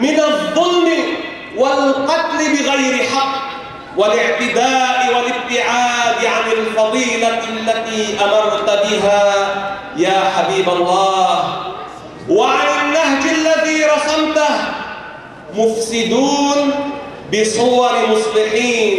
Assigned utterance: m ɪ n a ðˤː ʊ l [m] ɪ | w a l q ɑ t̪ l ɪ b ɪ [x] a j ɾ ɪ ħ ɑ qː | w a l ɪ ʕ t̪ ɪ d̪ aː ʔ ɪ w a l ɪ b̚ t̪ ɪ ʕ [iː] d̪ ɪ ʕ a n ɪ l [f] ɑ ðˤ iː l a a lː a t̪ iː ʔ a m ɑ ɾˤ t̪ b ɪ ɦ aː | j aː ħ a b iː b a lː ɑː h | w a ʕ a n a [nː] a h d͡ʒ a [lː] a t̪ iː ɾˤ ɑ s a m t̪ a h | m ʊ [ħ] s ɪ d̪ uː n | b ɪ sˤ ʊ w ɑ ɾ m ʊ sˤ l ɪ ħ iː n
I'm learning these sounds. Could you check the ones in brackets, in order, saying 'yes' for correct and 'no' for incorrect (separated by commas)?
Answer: yes, no, no, yes, yes, yes, no